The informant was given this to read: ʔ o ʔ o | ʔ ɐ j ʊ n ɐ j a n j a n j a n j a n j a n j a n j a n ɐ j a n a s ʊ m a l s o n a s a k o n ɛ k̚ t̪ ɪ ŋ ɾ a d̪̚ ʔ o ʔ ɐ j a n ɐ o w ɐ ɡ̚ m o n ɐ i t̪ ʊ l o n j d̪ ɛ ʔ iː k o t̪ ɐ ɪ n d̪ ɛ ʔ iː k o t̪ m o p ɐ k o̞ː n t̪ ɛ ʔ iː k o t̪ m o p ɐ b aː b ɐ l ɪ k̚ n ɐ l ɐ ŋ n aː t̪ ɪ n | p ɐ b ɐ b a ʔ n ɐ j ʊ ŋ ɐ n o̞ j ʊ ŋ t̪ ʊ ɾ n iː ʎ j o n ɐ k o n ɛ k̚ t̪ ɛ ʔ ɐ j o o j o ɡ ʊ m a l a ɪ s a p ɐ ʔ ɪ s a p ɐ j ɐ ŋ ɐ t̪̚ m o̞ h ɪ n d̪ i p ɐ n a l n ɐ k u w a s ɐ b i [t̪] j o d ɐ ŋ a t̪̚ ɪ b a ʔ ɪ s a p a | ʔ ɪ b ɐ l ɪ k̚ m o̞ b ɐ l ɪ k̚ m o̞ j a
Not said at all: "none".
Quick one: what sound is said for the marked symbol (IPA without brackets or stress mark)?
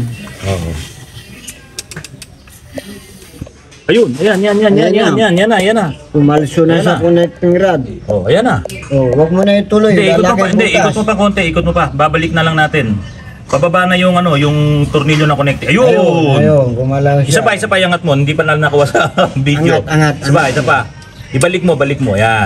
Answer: d̪